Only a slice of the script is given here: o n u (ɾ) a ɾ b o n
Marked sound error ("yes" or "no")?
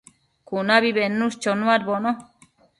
yes